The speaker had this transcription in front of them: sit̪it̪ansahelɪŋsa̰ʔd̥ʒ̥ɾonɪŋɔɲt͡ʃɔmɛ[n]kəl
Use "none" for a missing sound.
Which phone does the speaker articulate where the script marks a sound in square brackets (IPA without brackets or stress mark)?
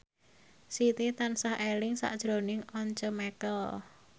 none